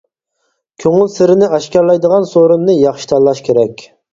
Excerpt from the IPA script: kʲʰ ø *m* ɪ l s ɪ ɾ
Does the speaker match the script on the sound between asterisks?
no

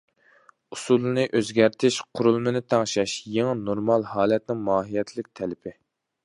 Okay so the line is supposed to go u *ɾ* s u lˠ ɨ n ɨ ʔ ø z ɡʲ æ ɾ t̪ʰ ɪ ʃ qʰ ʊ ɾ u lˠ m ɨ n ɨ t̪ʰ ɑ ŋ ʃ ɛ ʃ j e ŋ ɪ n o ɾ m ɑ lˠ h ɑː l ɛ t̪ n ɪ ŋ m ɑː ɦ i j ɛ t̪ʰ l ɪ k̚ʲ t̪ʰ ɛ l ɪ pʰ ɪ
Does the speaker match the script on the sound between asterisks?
no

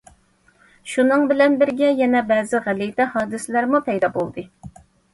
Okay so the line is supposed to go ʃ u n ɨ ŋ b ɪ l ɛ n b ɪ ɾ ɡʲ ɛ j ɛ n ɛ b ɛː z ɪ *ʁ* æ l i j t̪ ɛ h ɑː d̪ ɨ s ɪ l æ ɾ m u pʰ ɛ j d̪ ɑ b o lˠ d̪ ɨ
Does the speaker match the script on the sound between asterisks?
yes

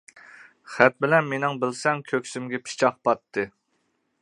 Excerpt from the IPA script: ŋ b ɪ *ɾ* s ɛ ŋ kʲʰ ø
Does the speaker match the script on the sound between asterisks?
no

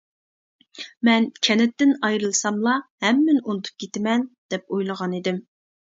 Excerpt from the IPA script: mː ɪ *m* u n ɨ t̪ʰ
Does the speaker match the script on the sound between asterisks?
no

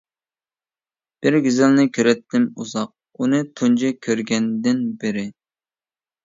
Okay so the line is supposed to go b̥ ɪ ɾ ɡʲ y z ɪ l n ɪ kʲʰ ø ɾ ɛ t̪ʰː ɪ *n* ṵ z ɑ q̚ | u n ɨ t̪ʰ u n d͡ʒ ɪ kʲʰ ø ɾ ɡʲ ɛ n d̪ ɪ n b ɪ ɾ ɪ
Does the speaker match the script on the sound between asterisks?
no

